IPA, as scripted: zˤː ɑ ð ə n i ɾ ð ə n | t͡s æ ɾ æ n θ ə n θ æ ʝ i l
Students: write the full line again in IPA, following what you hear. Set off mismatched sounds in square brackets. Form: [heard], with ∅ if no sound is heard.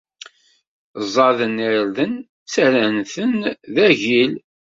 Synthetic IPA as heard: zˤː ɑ ð ə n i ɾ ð ə n | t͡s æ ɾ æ n θ ə n [ð] æ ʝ i l

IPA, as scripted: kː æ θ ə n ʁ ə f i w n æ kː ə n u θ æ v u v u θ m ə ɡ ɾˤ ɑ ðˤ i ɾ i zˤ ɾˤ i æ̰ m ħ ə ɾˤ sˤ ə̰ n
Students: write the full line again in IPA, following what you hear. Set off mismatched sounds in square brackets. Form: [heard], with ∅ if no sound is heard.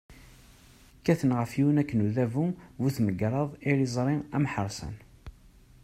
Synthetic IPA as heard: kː æ θ ə n ʁ ə f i w n æ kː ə n u [ð] æ v u v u θ m ə ɡ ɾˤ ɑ ðˤ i ɾ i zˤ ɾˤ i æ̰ m ħ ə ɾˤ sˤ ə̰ n

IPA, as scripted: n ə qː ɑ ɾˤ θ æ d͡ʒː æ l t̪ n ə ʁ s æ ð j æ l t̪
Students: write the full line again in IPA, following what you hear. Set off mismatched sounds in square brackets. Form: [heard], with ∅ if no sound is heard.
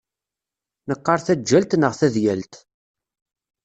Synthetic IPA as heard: n ə qː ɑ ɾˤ θ æ d͡ʒː æ l t̪ n ə ʁ [θ] æ ð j æ l t̪

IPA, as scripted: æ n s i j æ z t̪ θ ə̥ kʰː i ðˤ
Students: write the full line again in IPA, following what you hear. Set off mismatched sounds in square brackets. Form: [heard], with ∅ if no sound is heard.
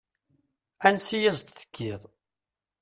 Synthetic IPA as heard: æ n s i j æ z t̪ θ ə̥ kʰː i ðˤ

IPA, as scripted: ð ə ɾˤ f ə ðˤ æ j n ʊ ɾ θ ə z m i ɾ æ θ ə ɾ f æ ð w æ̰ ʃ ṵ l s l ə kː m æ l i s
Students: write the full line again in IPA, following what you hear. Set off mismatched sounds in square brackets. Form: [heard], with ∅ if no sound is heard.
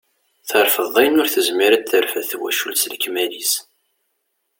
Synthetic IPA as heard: [θ] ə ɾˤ f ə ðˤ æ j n ʊ ɾ θ ə z m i ɾ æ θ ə ɾ f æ [θ] w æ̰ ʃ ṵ l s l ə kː m æ l i s

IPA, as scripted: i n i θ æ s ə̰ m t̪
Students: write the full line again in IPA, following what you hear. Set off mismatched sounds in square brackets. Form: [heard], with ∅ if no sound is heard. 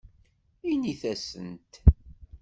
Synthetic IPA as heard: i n i θ æ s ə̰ [n] t̪

